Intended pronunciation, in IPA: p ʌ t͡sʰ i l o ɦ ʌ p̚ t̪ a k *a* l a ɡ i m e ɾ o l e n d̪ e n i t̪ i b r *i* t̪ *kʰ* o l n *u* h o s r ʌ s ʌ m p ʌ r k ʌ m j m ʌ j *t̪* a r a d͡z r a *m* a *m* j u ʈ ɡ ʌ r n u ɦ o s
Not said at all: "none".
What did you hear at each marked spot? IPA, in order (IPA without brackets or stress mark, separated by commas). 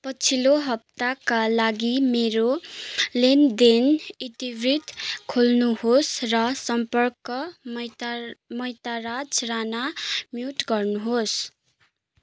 a, i, kʰ, u, t̪, n, m